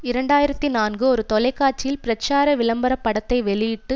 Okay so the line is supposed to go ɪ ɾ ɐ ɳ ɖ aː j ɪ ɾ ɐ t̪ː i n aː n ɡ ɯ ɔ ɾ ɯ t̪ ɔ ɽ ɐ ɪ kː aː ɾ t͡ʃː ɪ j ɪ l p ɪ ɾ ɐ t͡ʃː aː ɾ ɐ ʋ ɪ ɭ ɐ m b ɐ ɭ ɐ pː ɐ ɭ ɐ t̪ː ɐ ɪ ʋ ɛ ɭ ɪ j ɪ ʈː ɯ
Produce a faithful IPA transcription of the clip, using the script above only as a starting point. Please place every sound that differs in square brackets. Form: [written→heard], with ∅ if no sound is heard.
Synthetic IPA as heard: ɪ ɾ ɐ ɳ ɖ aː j ɪ ɾ ɐ t̪ː i n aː n ɡ ɯ ɔ ɾ ɯ t̪ ɔ [ɽ→l] ɐ ɪ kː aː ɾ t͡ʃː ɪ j ɪ l p ɪ ɾ ɐ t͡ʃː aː ɾ ɐ ʋ ɪ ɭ ɐ m b ɐ [ɭ→ɾ] ɐ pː ɐ [ɭ→ɽ] ɐ t̪ː ɐ ɪ ʋ ɛ ɭ ɪ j ɪ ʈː ɯ